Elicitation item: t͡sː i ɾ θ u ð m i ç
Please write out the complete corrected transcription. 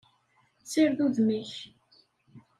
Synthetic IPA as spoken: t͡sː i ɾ ð u ð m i ç